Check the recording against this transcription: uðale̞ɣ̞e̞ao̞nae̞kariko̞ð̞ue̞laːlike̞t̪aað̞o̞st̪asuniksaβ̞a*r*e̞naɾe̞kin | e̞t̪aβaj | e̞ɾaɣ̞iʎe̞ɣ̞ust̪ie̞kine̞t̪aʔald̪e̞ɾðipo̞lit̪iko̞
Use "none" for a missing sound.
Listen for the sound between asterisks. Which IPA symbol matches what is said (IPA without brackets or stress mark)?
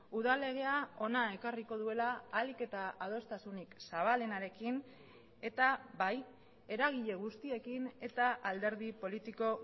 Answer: l